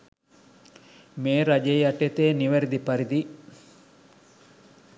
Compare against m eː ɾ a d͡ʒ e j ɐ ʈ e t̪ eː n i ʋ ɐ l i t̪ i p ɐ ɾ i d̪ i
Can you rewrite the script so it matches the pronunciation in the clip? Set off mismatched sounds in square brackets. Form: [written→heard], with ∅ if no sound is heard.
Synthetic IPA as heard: m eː ɾ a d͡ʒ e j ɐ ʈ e t̪ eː n i ʋ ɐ [l→ɾ] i [t̪→d̪] i p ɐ ɾ i d̪ i

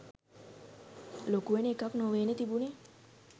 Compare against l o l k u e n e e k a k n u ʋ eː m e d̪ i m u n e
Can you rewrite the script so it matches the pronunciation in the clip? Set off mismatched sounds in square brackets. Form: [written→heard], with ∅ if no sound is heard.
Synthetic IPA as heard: l o [l→∅] k u e n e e k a k n [u→o] ʋ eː [m→n] e [d̪→t̪] i [m→b] u n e

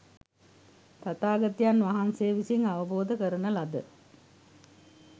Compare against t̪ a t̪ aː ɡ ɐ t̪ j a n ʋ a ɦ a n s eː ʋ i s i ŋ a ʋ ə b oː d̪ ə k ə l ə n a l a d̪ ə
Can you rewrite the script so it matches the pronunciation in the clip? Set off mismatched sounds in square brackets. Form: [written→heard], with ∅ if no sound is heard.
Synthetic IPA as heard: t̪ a t̪ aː ɡ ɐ t̪ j a n ʋ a ɦ a n s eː ʋ i s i ŋ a ʋ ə b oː d̪ ə k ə [l→ɾ] ə n [a→ə] l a d̪ ə

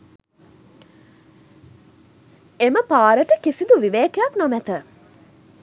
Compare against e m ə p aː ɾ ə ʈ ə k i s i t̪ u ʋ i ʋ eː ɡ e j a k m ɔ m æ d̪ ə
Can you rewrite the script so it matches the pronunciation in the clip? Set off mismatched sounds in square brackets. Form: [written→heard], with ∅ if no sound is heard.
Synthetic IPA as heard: e m ə p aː ɾ ə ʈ ə k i s i [t̪→d̪] u ʋ i ʋ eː [ɡ→k] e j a k [m→n] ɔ m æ [d̪→t̪] ə

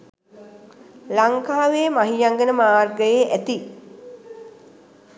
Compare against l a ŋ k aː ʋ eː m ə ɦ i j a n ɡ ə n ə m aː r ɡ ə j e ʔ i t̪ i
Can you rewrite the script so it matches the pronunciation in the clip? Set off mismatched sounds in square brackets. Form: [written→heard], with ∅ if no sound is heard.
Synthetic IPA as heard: l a ŋ k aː ʋ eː m [ə→a] ɦ i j a [n→ŋ] ɡ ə n ə m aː r ɡ ə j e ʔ [i→æ] t̪ i

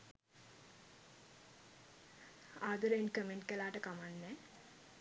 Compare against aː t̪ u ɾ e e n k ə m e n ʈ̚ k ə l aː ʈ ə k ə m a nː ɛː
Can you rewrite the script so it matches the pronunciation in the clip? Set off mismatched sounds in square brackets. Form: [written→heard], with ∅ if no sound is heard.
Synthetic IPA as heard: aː [t̪→d̪] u ɾ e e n k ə m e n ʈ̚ k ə l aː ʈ ə k [ə→a] m a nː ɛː

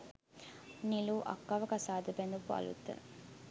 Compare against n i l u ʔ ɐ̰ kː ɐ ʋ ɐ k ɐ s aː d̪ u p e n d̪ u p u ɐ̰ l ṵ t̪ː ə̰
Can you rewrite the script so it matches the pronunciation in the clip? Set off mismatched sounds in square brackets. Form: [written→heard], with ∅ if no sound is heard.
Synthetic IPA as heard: n i l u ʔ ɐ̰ kː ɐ ʋ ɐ k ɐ s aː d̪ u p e n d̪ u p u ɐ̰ l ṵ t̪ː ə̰

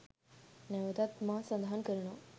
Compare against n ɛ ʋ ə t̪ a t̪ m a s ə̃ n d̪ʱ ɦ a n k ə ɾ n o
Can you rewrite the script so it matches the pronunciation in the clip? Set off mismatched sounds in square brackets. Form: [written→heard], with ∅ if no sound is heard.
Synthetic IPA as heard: n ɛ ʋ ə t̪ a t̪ m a s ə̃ n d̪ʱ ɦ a n k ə ɾ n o

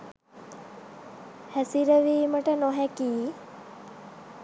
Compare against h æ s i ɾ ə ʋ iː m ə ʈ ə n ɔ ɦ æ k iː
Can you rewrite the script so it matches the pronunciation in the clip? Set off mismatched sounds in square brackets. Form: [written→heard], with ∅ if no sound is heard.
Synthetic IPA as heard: h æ s i ɾ ə ʋ iː m ə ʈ ə n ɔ ɦ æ k iː

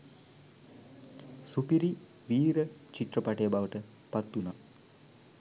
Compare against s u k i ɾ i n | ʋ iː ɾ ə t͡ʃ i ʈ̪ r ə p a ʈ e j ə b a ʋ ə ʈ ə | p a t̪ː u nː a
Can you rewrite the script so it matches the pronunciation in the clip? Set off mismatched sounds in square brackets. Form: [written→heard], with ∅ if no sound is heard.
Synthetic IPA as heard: s u [k→p] i ɾ i [n→∅] | ʋ iː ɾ ə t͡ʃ i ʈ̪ r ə p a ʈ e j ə b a ʋ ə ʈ ə | p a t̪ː u [nː→n] a

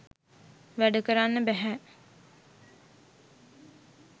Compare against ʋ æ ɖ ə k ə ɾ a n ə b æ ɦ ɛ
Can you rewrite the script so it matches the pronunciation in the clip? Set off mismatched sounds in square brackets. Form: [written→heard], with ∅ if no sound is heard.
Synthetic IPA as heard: ʋ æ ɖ ə k ə ɾ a [n→nː] ə b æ ɦ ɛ

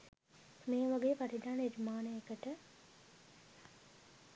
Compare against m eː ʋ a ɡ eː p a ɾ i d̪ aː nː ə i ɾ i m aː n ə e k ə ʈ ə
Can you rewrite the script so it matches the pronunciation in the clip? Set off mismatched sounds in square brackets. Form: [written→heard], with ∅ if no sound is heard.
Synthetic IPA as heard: m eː ʋ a ɡ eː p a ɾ i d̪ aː [nː→n] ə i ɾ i m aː n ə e k ə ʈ ə

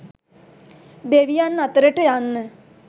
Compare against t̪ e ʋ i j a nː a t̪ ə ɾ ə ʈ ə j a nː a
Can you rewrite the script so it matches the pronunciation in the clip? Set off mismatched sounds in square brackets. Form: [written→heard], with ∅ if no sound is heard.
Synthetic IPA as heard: [t̪→d̪] e ʋ i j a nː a t̪ ə ɾ ə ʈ ə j a nː [a→ə]

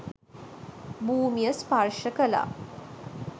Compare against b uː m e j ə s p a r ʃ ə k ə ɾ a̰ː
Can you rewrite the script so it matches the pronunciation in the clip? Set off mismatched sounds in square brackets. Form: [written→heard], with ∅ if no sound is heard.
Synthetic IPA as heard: b uː m [e→i] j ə s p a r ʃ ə k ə [ɾ→l] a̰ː

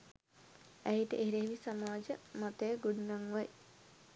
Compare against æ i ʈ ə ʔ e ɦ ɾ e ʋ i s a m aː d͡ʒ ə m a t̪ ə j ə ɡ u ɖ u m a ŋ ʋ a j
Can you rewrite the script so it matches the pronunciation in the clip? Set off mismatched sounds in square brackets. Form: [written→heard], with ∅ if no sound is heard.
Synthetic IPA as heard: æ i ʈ ə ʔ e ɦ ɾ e ʋ i s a m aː d͡ʒ ə m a t̪ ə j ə ɡ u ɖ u [m→n] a ŋ ʋ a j

